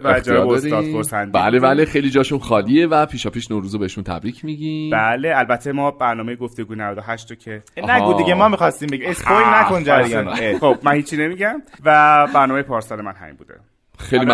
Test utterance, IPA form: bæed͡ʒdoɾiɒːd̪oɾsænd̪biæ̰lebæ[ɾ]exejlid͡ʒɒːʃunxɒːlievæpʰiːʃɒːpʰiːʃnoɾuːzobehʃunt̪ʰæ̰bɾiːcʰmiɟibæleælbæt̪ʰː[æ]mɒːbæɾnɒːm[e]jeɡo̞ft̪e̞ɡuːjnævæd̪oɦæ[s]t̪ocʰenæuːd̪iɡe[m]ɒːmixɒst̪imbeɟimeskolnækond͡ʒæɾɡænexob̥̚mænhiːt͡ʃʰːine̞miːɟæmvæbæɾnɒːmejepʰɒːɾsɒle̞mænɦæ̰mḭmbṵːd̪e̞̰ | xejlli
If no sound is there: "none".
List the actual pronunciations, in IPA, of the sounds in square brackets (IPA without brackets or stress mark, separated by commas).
l, e, e, ʃ, m